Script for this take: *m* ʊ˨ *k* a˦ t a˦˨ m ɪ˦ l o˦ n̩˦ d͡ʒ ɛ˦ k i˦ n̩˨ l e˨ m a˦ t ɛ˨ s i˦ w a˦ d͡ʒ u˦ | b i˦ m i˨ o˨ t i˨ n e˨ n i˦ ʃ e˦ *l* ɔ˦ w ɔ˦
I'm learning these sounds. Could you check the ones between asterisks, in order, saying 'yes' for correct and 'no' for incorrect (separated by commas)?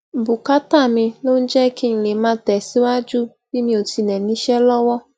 no, yes, yes